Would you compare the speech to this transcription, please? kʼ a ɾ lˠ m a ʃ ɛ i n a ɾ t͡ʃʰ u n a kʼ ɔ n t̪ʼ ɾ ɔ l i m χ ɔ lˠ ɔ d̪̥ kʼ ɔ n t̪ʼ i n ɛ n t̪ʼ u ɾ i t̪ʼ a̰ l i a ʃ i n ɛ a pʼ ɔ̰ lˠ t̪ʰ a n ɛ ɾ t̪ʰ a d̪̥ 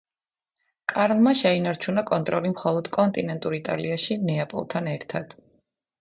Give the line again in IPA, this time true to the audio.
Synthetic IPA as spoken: kʼ a ɾ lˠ m a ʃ ɛ i n a ɾ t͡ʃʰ u n a kʼ ɔ n t̪ʼ ɾ ɔ l i m χ ɔ lˠ ɔ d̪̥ kʼ ɔ n t̪ʼ i n ɛ n t̪ʼ u ɾ i t̪ʼ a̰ l i a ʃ i n ɛ a pʼ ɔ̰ lˠ t̪ʰ a n ɛ ɾ t̪ʰ a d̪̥